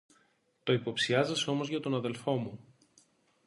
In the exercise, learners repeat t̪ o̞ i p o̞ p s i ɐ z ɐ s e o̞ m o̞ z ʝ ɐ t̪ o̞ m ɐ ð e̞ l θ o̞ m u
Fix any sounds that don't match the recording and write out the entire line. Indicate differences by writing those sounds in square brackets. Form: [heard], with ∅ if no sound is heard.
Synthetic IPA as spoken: t̪ o̞ i p o̞ p s i ɐ z ɐ s e o̞ m o̞ z ʝ ɐ t̪ o̞ [n] ɐ ð e̞ l [f] o̞ m u

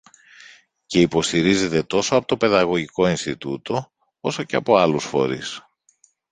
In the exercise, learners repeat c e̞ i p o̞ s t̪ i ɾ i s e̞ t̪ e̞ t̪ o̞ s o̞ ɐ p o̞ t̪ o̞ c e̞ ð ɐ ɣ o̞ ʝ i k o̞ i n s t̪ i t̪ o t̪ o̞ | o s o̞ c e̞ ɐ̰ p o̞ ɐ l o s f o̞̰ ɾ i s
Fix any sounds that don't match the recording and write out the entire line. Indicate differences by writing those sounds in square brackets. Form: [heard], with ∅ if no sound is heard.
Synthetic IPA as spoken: c e̞ i p o̞ s t̪ i ɾ i [z] e̞ t̪ e̞ t̪ o̞ s o̞ ɐ p o̞ t̪ o̞ [p] e̞ ð ɐ ɣ o̞ ʝ i k o̞ i n s t̪ i t̪ [u] t̪ o̞ | o s o̞ c e̞ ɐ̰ p o̞ ɐ l [u] s f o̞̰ ɾ i s

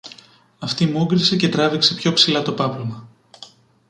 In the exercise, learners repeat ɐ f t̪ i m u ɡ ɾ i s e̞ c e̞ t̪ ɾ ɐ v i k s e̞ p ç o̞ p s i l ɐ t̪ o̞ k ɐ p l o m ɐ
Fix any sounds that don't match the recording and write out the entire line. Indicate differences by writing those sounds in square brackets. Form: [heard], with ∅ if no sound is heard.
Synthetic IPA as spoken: ɐ f t̪ i m u ɡ ɾ i s e̞ c e̞ t̪ ɾ ɐ v i k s e̞ p ç o̞ p s i l ɐ t̪ o̞ [p] ɐ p l o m ɐ

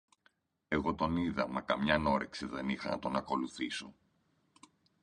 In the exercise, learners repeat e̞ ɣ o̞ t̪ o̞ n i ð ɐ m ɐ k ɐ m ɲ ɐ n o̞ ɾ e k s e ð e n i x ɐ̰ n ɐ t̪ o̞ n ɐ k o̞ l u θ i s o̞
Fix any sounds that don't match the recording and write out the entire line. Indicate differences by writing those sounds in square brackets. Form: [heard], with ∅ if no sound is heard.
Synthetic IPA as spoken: e̞ ɣ o̞ t̪ o̞ n i ð ɐ m ɐ k ɐ m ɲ ɐ n o̞ ɾ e k s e ð e n i x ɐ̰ n ɐ t̪ o̞ n ɐ k o̞ l u θ i s o̞

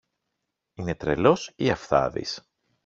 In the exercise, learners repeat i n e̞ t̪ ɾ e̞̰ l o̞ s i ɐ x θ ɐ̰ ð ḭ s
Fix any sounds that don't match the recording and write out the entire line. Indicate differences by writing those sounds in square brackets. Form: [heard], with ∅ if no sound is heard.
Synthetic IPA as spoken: i n e̞ t̪ ɾ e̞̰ l o̞ s i ɐ [f] θ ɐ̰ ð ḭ s

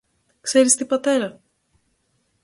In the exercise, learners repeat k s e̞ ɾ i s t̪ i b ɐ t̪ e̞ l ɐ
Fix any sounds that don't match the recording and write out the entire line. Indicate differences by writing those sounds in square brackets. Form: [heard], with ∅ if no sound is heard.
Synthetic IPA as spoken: k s e̞ ɾ i s t̪ i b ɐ t̪ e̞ [ɾ] ɐ

